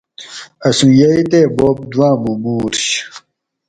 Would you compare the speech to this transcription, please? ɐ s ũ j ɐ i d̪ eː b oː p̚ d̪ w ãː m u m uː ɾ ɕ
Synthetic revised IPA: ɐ s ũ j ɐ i t̪ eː b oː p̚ d̪ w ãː m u m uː ɾ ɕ